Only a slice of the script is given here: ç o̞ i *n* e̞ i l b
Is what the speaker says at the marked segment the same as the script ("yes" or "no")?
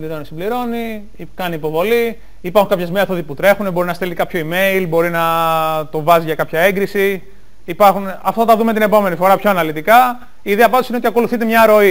no